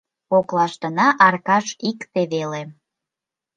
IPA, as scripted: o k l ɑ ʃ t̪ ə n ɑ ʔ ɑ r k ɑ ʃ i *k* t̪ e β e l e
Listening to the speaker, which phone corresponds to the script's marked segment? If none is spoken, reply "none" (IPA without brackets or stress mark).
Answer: k